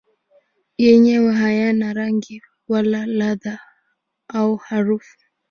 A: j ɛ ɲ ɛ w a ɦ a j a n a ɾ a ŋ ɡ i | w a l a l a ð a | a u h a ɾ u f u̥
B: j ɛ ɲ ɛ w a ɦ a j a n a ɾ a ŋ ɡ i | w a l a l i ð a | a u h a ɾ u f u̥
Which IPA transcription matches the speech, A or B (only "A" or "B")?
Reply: A